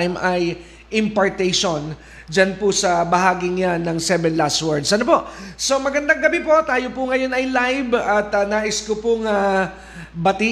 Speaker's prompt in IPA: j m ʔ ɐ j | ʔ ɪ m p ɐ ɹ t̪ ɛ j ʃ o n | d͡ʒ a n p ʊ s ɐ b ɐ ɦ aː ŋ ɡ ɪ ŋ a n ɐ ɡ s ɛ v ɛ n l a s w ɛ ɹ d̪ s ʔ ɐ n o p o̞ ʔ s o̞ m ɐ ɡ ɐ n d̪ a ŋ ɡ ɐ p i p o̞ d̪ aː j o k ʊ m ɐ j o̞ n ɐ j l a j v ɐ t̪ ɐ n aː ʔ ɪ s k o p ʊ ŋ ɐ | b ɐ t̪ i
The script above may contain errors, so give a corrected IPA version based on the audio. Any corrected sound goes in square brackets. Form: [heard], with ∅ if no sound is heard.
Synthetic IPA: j m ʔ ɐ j | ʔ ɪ m p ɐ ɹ t̪ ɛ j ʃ o n | d͡ʒ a n p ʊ s ɐ b ɐ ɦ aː [∅] ɡ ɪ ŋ a n ɐ [ŋ] s ɛ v ɛ n l a s w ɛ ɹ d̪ s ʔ ɐ n o p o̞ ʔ s o̞ m ɐ ɡ ɐ n d̪ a ŋ ɡ ɐ [b] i p o̞ [t̪] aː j o [p] ʊ [ŋ] ɐ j o̞ n ɐ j l a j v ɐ t̪ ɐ n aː ʔ ɪ s k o p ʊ ŋ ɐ | b ɐ t̪ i